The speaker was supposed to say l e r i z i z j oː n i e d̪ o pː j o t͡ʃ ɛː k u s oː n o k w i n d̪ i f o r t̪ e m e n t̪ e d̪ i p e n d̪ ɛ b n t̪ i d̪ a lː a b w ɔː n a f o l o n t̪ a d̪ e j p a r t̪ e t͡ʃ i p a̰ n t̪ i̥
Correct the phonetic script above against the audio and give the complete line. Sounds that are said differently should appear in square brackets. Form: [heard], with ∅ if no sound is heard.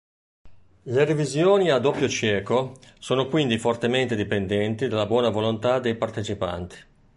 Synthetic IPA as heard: l e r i [v] i z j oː n i [a] d̪ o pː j o t͡ʃ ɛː k [o] s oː n o k w i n d̪ i f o r t̪ e m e n t̪ e d̪ i p e n d̪ ɛ [∅] n t̪ i d̪ a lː a b w ɔː n a [v] o l o n t̪ a d̪ e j p a r t̪ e t͡ʃ i p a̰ n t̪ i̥